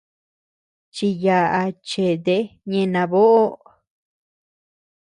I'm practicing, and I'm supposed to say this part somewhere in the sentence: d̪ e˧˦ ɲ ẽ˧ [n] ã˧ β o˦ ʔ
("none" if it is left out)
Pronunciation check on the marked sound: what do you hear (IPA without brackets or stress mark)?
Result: n